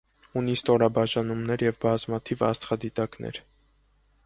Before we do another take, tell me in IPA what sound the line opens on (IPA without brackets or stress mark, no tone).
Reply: u